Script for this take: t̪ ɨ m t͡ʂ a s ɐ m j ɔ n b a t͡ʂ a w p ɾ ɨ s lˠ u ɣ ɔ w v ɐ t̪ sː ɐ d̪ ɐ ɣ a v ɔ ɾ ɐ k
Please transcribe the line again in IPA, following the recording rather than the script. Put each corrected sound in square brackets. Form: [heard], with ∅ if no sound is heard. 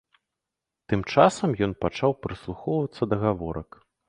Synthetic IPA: t̪ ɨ m t͡ʂ a s ɐ m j ɔ n [p] a t͡ʂ a w p ɾ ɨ s lˠ u [x] ɔ w v ɐ t̪ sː ɐ d̪ ɐ ɣ a v ɔ ɾ ɐ k